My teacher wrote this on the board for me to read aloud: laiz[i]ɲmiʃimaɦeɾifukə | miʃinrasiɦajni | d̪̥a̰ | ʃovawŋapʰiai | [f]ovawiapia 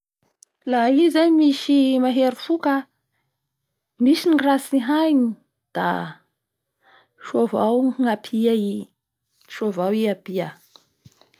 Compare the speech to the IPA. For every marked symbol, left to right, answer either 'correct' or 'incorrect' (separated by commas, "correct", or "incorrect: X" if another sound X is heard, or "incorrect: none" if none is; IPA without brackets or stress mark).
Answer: incorrect: a, incorrect: ʃ